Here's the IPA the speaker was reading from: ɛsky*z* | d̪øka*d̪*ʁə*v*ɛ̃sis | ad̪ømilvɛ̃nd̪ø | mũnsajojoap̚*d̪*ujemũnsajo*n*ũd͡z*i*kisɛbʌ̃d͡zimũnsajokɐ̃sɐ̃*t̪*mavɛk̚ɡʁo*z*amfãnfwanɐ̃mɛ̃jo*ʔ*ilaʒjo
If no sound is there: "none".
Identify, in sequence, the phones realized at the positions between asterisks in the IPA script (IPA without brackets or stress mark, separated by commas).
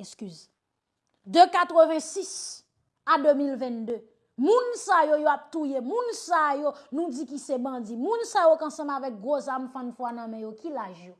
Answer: z, t̪, v, t̪, n, i, none, z, k